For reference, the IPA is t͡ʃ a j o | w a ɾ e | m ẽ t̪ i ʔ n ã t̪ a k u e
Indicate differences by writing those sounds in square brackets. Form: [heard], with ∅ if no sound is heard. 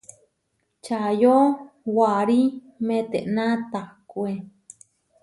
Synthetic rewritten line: t͡ʃ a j o | w a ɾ [i] | m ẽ t̪ [e] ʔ n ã t̪ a k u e